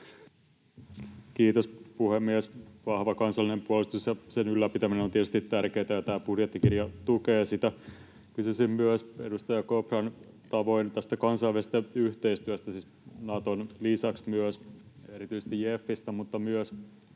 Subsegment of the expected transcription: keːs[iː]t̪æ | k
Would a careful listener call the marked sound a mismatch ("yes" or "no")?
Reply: yes